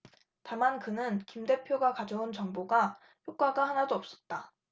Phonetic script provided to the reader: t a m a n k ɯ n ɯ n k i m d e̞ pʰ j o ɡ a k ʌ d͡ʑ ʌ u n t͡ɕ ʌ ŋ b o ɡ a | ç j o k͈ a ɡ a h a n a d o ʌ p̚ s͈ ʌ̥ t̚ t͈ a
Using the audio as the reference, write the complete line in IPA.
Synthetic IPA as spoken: t a m a n k ɯ n ɯ n k i m d e̞ pʰ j o ɡ a k a d͡ʑ ʌ u n t͡ɕ ʌ ŋ b o ɡ a | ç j o k͈ a ɡ a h a n a d o ʌ p̚ s͈ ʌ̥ t̚ t͈ a

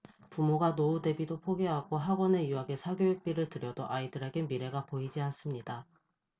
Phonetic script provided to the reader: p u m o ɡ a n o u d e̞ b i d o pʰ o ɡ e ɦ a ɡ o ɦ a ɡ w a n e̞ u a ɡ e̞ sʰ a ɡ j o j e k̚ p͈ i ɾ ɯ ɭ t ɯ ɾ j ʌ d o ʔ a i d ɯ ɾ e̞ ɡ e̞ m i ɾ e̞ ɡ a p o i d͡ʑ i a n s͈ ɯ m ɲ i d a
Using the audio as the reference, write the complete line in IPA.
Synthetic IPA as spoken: p u m o ɡ a n o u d e̞ b i d o pʰ o ɡ e ɦ a ɡ o ɦ a ɡ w ʌ n e̞ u a ɡ e̞ sʰ a ɡ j o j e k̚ p͈ i ɾ ɯ ɭ t ɯ ɾ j ʌ d o ʔ a i d ɯ ɾ e̞ ɡ e̞ m i ɾ e̞ ɡ a p o i d͡ʑ i a n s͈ ɯ m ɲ i d a

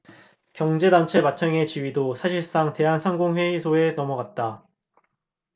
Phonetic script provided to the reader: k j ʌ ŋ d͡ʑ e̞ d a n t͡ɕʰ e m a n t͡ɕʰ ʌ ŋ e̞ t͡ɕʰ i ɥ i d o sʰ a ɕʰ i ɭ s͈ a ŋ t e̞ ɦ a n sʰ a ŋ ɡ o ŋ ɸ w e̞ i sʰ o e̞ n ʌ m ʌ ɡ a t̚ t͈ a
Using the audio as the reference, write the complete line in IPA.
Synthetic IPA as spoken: k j ʌ ŋ d͡ʑ e̞ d a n t͡ɕʰ e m a t͡ɕʰ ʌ ŋ e̞ t͡ɕ i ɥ i d o sʰ a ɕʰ i ɭ s͈ a ŋ t e̞ ɦ a n sʰ a ŋ ɡ o ŋ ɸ w e̞ i sʰ o e̞ n ʌ m ʌ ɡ a t̚ t͈ a

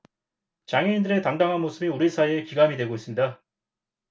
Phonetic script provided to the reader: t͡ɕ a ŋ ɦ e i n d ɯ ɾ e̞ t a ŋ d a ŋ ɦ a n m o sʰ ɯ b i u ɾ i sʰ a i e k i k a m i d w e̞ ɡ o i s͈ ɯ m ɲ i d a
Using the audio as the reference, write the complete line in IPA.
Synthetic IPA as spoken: t͡ɕ a ŋ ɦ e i n d ɯ ɾ e̞ t a ŋ d a ŋ ɦ a n m o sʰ ɯ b i u ɾ i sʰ a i e k i ɡ a m i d w e̞ ɡ o i s͈ ɯ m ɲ i d a

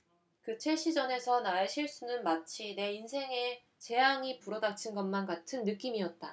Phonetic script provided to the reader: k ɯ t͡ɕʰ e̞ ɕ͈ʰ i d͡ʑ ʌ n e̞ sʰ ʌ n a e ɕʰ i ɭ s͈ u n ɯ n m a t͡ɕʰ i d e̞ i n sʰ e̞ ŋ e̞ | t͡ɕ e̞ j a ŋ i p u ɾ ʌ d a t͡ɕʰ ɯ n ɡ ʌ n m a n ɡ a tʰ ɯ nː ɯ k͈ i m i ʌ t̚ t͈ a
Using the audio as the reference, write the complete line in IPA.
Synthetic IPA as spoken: k ɯ t͡ɕʰ e̞ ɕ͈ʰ i d͡ʑ ʌ n e̞ sʰ ʌ n a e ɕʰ i ɭ s͈ u n ɯ n m a t͡ɕʰ i n e̞ i n sʰ e̞ ŋ e̞ | t͡ɕ e̞ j a ŋ i p u ɾ ʌ d a t͡ɕʰ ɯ n ɡ ʌ n m a n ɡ a tʰ ɯ nː ɯ k͈ i m i ʌ t̚ t͈ a

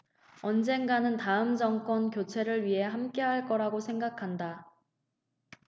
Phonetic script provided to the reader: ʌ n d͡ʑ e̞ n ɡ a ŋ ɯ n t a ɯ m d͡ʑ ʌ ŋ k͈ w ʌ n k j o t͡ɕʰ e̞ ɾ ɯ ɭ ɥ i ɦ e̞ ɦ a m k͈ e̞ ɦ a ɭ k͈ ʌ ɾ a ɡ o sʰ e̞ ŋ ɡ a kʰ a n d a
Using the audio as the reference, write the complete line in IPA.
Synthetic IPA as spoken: ʌ n d͡ʑ e̞ n ɡ a n ɯ n t a ɯ m d͡ʑ ʌ ŋ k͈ w ʌ n k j o t͡ɕʰ e̞ ɾ ɯ ɭ ɥ i ɦ e̞ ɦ a m k͈ e̞ ɦ a ɭ k͈ ʌ ɾ a ɡ o sʰ e̞ ŋ ɡ a kʰ a n d a

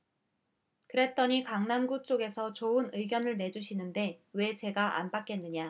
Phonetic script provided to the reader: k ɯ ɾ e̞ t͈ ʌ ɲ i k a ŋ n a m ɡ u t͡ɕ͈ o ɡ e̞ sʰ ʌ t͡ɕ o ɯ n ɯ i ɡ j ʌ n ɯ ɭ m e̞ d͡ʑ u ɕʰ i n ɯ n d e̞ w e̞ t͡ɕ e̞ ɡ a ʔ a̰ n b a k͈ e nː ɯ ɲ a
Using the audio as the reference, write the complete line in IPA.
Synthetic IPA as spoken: k ɯ ɾ e̞ t͈ ʌ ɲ i k a ŋ n a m ɡ u t͡ɕ͈ o ɡ e̞ sʰ ʌ t͡ɕ o ɯ n ɯ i ɡ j ʌ n ɯ ɭ n e̞ d͡ʑ u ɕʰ i n ɯ n d e̞ w e̞ t͡ɕ e̞ ɡ a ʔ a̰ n b a k͈ e nː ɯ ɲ a

